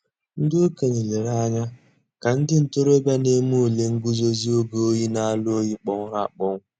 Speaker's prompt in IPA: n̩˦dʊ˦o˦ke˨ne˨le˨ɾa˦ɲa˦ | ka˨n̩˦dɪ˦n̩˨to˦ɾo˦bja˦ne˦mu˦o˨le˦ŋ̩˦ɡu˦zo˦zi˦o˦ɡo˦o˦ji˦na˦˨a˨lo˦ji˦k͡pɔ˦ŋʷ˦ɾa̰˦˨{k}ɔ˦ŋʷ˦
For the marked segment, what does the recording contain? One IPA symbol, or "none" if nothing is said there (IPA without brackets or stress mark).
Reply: k͡p